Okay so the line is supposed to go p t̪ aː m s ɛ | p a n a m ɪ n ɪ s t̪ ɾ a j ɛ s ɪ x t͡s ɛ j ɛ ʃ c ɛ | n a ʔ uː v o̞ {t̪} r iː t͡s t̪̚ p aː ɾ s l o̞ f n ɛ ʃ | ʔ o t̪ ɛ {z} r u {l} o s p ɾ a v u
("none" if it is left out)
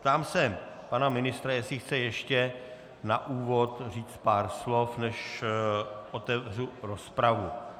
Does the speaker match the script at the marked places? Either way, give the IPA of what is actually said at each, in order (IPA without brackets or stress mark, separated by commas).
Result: t̪, v, ɾ